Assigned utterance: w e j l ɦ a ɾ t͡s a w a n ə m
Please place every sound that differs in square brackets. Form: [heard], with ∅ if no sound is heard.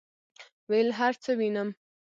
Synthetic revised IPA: w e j l ɦ a ɾ t͡s [ə] w [i] n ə m